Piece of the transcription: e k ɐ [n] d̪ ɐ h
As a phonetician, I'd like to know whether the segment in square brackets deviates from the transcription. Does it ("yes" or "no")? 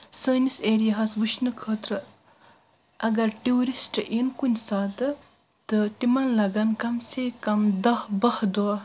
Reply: yes